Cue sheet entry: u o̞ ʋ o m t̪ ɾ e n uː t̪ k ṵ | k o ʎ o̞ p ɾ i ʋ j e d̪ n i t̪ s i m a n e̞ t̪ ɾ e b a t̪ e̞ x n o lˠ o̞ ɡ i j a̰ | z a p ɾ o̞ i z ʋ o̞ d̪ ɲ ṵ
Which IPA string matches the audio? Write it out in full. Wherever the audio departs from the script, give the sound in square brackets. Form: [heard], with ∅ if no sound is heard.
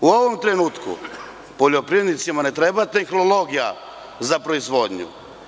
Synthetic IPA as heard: u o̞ ʋ o m t̪ ɾ e n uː t̪ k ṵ | [p] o ʎ o̞ p ɾ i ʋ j e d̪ n i t̪ s i m a n e̞ t̪ ɾ e b a t̪ e̞ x n o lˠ o̞ ɡ i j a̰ | z a p ɾ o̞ i z ʋ o̞ d̪ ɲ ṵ